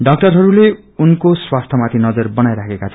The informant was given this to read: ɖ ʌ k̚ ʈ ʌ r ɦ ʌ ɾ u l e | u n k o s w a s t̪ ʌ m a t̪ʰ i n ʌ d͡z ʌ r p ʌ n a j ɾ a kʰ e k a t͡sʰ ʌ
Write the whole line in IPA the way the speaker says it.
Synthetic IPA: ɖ ʌ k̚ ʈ ʌ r ɦ ʌ ɾ u l e | u n k o s w a s t̪ʰ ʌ m a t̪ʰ i n ʌ d͡z ʌ r b ʌ n a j ɾ a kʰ e k a t͡sʰ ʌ